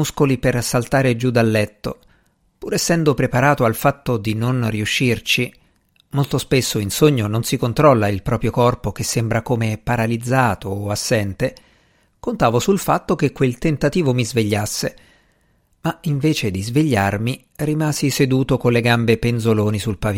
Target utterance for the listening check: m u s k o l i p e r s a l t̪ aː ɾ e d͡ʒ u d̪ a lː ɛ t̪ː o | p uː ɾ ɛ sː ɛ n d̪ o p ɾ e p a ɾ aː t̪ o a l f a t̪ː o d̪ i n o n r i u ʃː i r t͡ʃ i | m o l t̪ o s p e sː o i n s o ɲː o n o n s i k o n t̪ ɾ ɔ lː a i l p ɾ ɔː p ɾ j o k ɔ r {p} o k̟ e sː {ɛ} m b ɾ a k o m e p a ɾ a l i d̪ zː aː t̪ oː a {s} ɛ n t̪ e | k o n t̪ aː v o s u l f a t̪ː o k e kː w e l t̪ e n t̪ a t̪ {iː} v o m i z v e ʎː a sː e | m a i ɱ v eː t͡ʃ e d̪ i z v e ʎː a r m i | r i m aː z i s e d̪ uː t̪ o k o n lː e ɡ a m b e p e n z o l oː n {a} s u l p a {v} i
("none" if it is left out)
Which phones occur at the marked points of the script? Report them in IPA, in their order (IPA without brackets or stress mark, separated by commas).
p, e, sː, iː, i, v